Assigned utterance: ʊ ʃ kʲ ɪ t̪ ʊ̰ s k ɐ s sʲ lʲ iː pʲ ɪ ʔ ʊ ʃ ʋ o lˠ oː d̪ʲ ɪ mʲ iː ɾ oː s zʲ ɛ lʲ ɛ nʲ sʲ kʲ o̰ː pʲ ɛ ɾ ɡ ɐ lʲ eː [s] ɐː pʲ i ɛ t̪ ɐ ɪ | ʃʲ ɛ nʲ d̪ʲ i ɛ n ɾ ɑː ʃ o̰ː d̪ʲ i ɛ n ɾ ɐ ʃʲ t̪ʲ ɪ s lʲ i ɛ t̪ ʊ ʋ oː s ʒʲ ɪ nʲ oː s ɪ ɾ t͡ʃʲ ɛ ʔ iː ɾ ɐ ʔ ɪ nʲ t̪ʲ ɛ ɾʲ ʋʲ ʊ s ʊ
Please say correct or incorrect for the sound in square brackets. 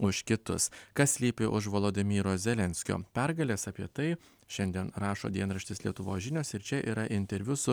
correct